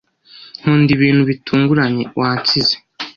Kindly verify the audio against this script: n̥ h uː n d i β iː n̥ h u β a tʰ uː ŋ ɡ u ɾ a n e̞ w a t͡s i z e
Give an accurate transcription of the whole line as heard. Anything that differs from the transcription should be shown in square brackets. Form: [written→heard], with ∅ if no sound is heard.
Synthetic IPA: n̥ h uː n d i β iː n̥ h u β [a→i] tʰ uː ŋ ɡ u ɾ a [n→ɲ] e̞ w a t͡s i z e